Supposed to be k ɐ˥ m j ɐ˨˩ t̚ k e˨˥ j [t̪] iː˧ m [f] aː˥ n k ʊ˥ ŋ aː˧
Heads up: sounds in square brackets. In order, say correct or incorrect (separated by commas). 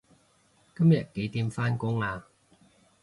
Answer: correct, correct